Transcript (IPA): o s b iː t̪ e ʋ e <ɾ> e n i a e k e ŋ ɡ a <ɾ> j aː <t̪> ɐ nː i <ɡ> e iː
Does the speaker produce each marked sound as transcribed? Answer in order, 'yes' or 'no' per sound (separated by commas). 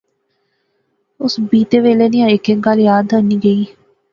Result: no, no, no, yes